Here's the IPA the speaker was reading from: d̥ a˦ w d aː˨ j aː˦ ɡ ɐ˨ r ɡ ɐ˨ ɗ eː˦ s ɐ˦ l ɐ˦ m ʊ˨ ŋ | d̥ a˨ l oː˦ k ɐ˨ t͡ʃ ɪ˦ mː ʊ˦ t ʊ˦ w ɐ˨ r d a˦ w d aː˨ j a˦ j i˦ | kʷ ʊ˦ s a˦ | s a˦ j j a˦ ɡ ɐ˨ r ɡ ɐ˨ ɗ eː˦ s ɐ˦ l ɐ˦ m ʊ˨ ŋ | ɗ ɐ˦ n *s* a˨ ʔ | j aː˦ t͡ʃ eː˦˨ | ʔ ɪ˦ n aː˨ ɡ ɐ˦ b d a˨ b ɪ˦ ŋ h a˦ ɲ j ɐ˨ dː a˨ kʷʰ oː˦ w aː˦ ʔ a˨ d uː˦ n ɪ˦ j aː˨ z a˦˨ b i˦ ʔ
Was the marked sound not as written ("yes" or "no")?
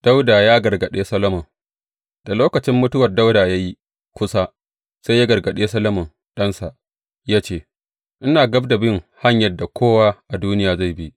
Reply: no